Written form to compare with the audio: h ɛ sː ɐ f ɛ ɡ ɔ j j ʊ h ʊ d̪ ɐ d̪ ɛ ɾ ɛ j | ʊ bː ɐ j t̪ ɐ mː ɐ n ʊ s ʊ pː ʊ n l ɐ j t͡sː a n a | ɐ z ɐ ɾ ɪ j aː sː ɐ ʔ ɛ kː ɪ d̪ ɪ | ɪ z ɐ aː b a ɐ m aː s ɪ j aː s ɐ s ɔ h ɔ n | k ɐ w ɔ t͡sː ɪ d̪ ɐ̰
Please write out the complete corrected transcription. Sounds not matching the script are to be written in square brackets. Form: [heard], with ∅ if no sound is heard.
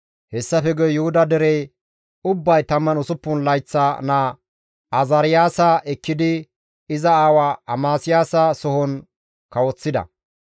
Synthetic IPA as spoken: h ɛ sː ɐ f ɛ ɡ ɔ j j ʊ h ʊ d̪ ɐ d̪ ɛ ɾ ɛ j | ʊ bː ɐ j t̪ ɐ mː ɐ n ʊ s ʊ pː ʊ n l ɐ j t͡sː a n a | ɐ z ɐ ɾ ɪ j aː [s] ɐ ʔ ɛ kː ɪ d̪ ɪ | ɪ z ɐ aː [w] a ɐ m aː s ɪ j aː s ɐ s ɔ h ɔ n | k ɐ w ɔ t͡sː ɪ d̪ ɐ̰